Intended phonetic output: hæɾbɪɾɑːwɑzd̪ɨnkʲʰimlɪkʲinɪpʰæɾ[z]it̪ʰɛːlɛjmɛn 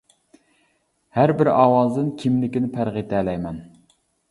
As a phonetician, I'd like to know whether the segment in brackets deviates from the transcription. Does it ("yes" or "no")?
yes